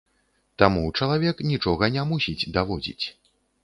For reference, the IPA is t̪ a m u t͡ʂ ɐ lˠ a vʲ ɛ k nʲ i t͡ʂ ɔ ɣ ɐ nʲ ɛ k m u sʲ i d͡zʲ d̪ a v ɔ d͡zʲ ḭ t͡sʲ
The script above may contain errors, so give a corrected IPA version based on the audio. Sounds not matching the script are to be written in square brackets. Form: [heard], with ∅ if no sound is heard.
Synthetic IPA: t̪ a m u t͡ʂ ɐ lˠ a vʲ ɛ k nʲ i t͡ʂ ɔ ɣ ɐ nʲ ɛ [∅] m u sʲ i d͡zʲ d̪ a v ɔ d͡zʲ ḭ t͡sʲ